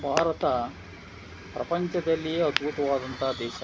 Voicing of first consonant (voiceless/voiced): voiced